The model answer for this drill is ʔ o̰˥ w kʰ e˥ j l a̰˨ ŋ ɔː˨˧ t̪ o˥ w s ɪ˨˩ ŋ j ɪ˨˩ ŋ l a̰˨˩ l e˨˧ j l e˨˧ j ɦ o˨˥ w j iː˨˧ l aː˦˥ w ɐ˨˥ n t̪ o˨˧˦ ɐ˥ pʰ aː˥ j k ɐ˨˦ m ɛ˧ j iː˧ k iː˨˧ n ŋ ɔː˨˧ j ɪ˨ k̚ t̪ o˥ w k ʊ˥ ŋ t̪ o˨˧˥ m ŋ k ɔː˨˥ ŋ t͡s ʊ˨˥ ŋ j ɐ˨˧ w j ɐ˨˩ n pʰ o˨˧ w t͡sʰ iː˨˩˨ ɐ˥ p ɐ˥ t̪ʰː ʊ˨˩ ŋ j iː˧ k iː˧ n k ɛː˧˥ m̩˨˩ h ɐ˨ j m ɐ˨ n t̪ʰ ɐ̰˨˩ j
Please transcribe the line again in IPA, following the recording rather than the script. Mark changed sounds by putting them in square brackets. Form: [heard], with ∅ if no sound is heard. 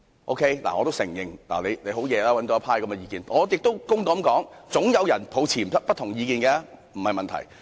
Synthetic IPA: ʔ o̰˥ w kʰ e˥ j l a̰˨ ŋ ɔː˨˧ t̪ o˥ w s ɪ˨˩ ŋ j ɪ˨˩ ŋ l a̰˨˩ l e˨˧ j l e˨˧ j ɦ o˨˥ w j [ɛː˨˧] l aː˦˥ w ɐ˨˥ n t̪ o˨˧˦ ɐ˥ pʰ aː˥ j k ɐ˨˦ m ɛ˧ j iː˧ k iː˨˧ n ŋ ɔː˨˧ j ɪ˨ k̚ t̪ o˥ w k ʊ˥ ŋ t̪ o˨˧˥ m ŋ k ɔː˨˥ ŋ t͡s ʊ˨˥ ŋ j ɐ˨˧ w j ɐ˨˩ n pʰ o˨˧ w t͡sʰ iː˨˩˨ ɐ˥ p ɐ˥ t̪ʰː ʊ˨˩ ŋ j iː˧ k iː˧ n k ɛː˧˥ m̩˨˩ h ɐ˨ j m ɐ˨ n t̪ʰ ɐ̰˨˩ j